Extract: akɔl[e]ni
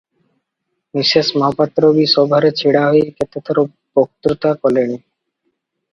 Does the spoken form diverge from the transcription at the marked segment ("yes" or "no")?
no